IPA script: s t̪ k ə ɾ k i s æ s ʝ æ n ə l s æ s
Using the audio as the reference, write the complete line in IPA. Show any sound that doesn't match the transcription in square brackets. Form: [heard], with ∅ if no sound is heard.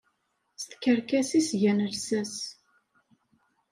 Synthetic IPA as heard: s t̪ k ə ɾ k [æ] s [i] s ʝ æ n ə l s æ s